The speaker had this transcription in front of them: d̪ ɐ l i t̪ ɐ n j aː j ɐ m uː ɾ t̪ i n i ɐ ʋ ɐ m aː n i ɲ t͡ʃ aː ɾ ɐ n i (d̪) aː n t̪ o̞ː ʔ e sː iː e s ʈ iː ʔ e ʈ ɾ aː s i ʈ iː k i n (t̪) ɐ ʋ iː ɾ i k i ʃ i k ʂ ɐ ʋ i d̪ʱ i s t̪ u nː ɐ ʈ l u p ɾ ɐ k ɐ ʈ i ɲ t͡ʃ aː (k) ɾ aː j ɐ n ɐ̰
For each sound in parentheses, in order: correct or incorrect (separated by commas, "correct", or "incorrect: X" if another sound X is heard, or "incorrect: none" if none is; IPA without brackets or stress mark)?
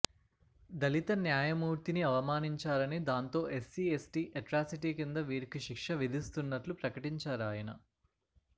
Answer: correct, incorrect: d̪, incorrect: none